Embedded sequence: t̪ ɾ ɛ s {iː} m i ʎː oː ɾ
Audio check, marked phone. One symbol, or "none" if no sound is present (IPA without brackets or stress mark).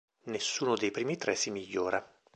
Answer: i